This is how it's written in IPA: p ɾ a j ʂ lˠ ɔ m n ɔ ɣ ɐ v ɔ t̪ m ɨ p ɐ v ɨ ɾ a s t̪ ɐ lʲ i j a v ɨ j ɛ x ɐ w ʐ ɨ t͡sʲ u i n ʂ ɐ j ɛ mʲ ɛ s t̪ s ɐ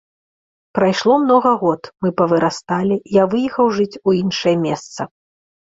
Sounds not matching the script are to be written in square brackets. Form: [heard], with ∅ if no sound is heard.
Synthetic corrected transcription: p ɾ a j ʂ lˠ ɔ m n ɔ ɣ ɐ [ɣ] ɔ t̪ m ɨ p ɐ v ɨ ɾ a s t̪ [a] lʲ i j a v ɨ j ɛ x ɐ w ʐ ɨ t͡sʲ u i n ʂ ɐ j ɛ mʲ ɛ s t̪ s ɐ